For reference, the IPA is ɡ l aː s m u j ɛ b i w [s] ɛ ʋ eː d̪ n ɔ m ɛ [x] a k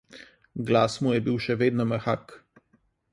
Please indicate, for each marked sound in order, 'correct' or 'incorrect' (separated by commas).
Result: incorrect, correct